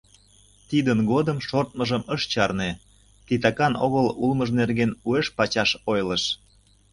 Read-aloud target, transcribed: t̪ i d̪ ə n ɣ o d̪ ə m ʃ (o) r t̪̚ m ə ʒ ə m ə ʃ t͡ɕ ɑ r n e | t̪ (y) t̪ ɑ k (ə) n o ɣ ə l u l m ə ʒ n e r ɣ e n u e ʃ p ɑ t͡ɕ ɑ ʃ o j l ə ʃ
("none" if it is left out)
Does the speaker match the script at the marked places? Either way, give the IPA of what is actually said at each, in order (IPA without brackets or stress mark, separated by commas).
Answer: o, i, ɑ